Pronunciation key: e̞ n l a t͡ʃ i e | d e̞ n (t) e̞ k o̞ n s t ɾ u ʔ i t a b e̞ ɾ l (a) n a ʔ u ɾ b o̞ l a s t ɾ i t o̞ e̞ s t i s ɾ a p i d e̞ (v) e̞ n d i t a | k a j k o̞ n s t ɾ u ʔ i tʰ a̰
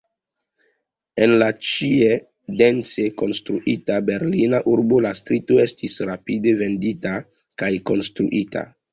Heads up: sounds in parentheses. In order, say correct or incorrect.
incorrect: t͡s, incorrect: i, correct

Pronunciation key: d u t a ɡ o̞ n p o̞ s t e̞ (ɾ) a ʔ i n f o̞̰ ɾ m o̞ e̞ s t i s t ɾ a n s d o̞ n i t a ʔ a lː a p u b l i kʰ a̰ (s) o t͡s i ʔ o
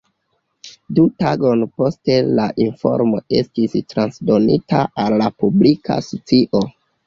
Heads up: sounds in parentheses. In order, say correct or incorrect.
incorrect: l, correct

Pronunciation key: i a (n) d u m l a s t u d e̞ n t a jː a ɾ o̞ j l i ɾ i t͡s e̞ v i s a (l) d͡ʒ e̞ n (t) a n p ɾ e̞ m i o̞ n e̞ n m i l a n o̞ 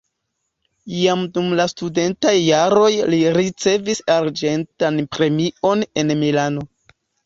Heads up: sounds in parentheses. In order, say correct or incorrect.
incorrect: m, incorrect: ɾ, correct

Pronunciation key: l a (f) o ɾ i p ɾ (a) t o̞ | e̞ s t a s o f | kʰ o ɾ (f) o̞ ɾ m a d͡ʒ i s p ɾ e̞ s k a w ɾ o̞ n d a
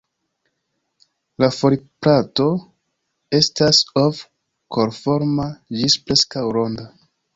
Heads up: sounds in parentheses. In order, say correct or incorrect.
correct, correct, correct

